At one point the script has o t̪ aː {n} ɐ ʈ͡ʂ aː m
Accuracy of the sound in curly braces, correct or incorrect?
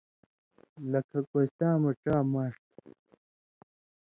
incorrect